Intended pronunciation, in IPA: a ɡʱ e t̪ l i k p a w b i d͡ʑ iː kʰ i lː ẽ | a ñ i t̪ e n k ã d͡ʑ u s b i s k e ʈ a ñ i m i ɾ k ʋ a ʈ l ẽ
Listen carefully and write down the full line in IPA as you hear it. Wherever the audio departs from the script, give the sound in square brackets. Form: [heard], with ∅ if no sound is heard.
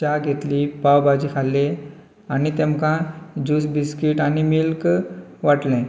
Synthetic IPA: a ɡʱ e t̪ l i [∅] p a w b [a] d͡ʑ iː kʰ [a] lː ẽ | a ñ i t̪ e [m] k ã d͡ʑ u s b i s k [i] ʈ a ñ i m i [l] k ʋ a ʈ l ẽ